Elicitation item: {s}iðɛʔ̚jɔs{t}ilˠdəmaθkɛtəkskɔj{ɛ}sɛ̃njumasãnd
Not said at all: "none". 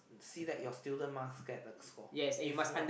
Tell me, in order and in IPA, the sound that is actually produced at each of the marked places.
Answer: s, t, ɛ

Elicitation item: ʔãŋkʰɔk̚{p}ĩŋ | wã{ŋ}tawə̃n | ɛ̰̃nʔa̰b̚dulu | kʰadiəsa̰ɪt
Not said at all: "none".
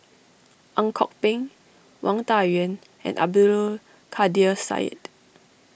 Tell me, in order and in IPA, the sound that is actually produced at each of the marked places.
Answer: p, ŋ

